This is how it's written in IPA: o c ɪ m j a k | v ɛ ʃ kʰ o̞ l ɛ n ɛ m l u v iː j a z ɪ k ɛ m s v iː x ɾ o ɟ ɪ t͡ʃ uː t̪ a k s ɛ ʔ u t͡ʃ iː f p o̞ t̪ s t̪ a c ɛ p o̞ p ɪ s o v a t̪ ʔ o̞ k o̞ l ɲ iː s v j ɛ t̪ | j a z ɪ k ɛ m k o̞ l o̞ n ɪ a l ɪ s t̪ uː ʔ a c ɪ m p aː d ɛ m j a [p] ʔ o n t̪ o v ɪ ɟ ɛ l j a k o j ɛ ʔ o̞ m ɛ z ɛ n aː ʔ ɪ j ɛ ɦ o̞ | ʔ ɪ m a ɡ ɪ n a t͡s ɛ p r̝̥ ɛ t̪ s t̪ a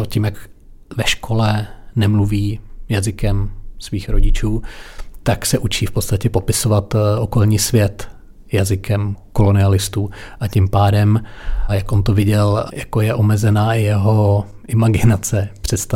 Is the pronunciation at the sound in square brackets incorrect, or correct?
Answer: incorrect